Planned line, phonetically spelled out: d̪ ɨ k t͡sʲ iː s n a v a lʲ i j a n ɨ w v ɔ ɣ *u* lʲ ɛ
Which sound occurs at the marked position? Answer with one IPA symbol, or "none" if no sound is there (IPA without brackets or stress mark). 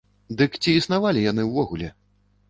u